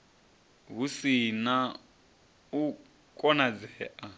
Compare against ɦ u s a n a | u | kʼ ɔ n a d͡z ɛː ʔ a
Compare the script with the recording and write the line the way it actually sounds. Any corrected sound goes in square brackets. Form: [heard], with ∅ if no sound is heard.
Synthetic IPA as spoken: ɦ u s [i] n a | u | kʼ ɔ n a d͡z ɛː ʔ a